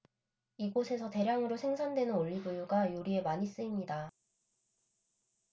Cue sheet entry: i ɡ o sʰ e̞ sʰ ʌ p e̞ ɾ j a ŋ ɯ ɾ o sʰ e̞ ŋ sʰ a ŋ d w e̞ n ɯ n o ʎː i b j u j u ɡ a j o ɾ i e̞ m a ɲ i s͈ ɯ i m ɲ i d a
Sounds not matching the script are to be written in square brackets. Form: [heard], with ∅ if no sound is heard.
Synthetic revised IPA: i ɡ o sʰ e̞ sʰ ʌ [t] e̞ ɾ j a ŋ ɯ ɾ o sʰ e̞ ŋ sʰ a [n] d w e̞ n ɯ n o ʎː i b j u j u ɡ a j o ɾ i e̞ m a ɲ i s͈ ɯ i m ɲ i d a